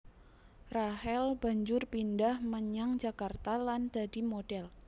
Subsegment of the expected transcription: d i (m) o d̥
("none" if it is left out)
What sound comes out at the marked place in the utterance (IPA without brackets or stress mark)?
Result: m